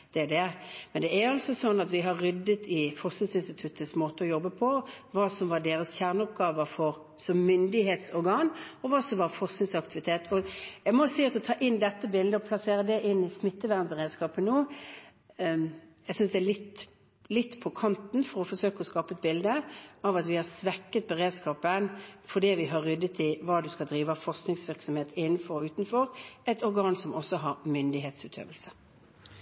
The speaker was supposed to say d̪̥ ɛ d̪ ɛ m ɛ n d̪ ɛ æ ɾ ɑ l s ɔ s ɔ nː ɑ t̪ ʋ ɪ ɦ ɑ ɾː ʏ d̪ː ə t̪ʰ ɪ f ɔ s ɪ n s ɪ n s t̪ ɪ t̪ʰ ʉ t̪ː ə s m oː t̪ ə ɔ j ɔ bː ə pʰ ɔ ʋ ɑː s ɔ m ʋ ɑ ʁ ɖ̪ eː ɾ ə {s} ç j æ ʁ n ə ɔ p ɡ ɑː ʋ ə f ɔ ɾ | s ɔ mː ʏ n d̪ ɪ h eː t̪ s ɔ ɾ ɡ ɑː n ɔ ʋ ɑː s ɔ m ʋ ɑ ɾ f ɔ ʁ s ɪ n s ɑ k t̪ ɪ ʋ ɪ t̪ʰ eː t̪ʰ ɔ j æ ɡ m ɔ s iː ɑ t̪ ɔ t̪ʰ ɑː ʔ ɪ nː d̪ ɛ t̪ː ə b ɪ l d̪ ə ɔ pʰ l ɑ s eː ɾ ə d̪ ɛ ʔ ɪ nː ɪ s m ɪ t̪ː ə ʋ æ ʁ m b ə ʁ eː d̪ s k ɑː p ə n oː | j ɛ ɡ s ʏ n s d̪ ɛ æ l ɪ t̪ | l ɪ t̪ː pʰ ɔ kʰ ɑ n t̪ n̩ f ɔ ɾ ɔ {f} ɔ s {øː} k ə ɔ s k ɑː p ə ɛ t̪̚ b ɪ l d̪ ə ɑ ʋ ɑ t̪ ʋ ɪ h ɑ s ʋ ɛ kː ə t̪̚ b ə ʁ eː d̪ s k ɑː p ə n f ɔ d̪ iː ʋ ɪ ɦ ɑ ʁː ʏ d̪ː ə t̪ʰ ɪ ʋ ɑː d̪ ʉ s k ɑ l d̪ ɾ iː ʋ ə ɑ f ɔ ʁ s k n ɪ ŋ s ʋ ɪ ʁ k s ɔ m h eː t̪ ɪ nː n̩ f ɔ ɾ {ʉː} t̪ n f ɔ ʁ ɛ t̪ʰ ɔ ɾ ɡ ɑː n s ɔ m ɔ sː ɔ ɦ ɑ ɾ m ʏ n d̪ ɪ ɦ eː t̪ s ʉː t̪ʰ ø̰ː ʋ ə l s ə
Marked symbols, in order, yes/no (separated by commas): yes, yes, yes, yes